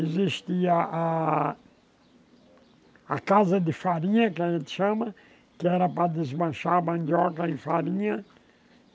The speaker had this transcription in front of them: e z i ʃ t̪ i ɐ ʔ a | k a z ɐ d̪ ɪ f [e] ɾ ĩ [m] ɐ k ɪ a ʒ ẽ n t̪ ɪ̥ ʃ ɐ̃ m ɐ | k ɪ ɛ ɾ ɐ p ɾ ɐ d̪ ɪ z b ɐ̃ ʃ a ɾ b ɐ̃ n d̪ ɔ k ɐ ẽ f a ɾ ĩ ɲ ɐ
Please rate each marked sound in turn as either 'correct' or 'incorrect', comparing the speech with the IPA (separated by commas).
incorrect, incorrect